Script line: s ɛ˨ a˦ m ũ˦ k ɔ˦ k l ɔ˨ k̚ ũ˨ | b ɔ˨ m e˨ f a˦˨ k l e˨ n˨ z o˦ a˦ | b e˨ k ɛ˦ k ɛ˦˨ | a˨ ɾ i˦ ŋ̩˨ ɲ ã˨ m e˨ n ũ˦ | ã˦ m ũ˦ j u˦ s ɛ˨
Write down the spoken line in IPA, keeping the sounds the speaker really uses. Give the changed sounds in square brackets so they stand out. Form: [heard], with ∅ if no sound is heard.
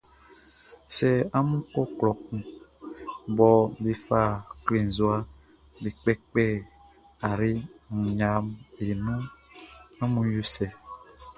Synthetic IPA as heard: s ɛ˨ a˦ m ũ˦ k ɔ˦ k l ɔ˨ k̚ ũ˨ | b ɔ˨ [b] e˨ f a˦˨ k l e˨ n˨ z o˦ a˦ | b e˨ [k͡p] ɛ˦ [k͡p] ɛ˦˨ | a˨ ɾ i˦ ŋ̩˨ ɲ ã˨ m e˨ n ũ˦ | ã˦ m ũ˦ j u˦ s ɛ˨